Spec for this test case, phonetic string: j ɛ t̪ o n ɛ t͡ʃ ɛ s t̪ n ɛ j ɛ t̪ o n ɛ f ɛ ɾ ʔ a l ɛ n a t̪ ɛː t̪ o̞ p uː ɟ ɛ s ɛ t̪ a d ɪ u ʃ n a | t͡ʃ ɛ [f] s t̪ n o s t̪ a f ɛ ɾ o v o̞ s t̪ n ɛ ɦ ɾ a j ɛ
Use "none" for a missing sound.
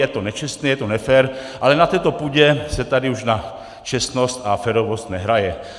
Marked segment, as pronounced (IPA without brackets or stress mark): none